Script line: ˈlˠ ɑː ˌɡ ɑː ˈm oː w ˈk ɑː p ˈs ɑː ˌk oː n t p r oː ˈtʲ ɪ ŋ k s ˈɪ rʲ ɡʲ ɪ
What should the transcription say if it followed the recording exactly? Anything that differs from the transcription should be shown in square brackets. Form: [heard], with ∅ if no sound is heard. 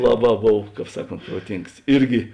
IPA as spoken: ˈlˠ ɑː [ˌb] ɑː [ˈb] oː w ˈk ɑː p ˈs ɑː ˌk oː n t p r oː ˈtʲ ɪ ŋ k s ˈɪ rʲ ɡʲ ɪ